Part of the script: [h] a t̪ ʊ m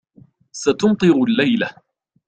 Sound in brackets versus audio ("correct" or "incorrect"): incorrect